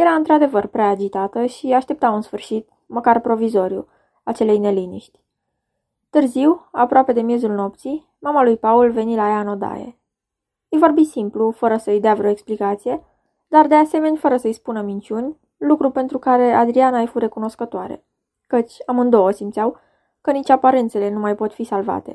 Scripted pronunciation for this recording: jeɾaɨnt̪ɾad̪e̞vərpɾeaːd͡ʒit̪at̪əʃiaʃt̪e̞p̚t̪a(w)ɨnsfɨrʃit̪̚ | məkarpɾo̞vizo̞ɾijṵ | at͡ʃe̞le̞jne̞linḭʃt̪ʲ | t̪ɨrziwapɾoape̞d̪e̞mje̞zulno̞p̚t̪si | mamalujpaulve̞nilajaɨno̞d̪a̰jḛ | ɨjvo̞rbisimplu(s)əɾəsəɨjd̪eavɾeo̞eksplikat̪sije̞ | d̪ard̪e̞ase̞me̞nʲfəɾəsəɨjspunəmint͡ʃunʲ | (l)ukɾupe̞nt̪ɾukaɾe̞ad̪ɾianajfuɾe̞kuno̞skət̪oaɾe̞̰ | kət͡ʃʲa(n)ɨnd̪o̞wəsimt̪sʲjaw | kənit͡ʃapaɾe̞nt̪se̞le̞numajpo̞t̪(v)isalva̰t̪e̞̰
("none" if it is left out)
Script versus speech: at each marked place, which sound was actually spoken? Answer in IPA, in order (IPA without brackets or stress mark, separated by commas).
w, f, l, m, f